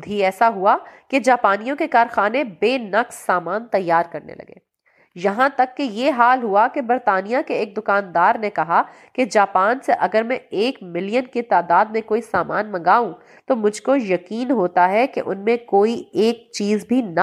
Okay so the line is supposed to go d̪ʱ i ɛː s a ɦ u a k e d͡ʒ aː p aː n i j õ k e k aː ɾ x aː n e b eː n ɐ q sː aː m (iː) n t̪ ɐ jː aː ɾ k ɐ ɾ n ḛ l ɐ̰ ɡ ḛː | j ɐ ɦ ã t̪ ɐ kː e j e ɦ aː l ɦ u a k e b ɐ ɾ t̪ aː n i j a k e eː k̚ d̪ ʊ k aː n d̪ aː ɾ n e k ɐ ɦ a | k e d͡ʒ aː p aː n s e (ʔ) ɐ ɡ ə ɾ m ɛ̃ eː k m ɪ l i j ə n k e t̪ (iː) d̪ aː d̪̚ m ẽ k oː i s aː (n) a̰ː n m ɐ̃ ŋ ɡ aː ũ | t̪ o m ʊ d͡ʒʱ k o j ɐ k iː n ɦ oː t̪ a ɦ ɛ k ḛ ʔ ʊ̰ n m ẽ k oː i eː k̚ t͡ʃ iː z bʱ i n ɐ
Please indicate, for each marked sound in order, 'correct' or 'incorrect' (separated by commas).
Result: incorrect, correct, incorrect, incorrect